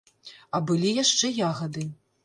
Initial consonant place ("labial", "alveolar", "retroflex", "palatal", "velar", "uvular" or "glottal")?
labial